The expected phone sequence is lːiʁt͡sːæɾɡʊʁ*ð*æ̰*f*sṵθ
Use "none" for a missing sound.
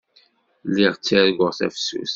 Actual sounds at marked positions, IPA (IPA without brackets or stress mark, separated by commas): θ, f